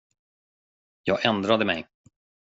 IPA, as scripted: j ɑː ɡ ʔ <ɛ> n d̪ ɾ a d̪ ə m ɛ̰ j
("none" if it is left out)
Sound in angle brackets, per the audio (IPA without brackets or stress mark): ɛ